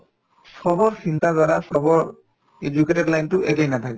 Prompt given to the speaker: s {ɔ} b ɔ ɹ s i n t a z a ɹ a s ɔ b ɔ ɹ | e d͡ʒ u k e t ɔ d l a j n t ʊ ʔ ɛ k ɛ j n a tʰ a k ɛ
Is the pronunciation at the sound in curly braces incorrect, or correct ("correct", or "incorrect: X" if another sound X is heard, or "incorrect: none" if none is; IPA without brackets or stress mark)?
correct